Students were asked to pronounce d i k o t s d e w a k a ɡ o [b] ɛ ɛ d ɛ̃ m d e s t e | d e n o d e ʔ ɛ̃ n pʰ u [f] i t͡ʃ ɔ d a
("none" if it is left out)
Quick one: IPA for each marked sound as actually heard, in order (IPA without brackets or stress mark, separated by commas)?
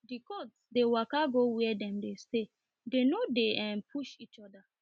w, ʃ